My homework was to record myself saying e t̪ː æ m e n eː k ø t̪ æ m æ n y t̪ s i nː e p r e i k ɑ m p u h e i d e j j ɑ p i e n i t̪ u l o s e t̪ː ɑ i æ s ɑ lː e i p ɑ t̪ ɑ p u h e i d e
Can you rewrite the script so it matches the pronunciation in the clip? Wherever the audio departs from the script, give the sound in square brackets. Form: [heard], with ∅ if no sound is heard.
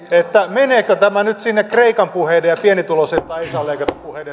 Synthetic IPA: e t̪ː æ m e n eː k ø t̪ æ m æ n y t̪ s i nː e [k] r e i k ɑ m p u h e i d e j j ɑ p i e n i t̪ u l o s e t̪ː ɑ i [i] s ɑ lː e i [k] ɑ t̪ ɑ p u h e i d e